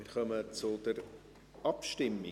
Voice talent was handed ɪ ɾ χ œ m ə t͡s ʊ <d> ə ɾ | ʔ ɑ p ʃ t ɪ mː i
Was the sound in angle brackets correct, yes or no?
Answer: yes